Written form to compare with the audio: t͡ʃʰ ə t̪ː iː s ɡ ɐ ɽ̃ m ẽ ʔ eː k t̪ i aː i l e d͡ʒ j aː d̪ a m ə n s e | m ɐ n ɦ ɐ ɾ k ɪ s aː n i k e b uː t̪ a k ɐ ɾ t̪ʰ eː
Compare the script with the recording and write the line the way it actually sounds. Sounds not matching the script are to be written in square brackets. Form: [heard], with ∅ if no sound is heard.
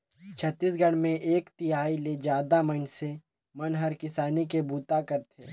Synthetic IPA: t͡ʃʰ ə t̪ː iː s ɡ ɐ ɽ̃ m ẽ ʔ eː k t̪ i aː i l e d͡ʒ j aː d̪ a m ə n s e | m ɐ n ɦ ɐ ɾ k ɪ s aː n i k e b uː t̪ a k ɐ ɾ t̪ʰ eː